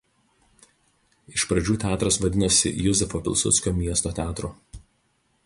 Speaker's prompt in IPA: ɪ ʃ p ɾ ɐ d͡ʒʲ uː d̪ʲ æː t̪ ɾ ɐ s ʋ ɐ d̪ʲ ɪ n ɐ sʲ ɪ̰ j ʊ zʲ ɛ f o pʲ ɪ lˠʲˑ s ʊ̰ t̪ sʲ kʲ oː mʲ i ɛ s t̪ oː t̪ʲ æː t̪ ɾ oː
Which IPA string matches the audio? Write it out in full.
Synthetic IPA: ɪ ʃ p ɾ ɐ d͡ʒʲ uː t̪ʲ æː t̪ ɾ ɐ s ʋ ɐ d̪ʲ ɪ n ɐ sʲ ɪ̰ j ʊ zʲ ɛ f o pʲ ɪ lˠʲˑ s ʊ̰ t̪ sʲ kʲ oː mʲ i ɛ s t̪ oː t̪ʲ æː t̪ ɾ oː